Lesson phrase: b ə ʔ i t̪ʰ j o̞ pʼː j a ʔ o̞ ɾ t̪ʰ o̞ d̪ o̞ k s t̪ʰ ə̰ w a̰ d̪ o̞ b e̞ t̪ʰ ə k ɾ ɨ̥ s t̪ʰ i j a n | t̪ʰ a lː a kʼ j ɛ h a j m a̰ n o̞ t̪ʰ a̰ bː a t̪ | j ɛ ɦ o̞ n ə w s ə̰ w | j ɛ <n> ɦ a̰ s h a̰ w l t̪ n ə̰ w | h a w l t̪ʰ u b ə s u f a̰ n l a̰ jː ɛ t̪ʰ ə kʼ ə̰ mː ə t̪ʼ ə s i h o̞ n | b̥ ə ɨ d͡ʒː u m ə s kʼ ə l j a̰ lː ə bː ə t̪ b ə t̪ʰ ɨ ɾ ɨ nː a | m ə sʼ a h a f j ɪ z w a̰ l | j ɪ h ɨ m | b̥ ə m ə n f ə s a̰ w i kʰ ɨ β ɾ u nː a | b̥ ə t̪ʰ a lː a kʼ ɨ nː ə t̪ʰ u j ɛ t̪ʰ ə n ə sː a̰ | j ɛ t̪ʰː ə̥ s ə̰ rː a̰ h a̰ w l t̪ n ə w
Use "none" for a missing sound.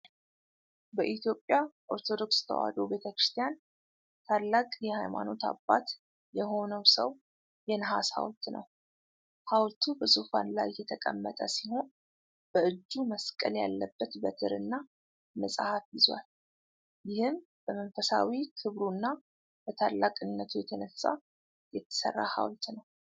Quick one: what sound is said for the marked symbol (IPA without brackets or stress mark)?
n